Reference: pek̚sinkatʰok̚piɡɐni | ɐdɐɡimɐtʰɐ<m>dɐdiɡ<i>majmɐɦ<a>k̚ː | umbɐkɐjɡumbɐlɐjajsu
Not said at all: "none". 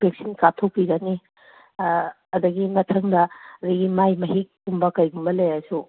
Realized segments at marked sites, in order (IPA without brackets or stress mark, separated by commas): ŋ, i, i